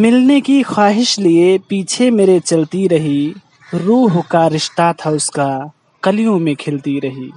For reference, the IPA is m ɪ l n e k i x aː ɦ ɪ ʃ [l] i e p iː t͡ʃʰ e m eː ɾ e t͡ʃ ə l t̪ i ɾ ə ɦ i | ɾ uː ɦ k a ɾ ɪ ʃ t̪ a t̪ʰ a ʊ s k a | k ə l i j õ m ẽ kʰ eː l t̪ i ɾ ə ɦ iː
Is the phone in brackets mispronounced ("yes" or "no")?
no